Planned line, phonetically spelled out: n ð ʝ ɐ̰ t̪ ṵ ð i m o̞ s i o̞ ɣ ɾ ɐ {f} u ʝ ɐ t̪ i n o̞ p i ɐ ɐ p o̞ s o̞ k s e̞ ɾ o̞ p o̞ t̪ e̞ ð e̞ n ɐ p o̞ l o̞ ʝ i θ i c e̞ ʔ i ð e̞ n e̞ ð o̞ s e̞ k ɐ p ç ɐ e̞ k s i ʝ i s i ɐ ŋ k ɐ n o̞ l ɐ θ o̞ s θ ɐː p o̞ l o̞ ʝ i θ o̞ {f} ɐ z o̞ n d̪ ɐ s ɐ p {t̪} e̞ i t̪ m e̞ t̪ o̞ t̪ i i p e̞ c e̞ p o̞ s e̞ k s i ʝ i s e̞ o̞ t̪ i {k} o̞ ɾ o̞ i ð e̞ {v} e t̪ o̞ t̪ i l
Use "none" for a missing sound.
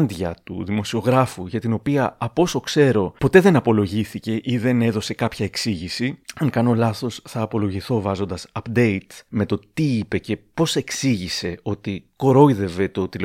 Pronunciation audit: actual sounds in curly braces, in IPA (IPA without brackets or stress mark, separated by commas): f, v, d̪, k, v